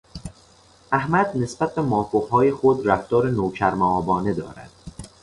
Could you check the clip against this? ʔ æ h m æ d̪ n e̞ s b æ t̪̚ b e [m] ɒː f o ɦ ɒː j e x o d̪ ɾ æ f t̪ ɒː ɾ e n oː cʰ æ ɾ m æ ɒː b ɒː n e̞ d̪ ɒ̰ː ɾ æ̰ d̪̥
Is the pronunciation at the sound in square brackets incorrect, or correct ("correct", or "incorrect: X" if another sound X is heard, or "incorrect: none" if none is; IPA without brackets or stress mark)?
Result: correct